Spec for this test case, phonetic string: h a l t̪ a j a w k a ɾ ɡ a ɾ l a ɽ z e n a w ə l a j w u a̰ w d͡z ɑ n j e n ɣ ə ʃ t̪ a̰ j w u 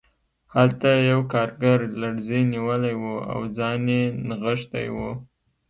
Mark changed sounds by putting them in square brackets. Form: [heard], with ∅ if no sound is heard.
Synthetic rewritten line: h a l t̪ a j a w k [ɑ] ɾ ɡ a ɾ l a ɽ z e n [i] w ə l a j w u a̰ w d͡z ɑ n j e n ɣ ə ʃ t̪ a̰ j w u